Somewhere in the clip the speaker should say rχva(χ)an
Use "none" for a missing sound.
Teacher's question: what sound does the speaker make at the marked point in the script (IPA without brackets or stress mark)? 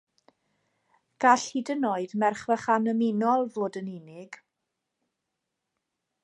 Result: χ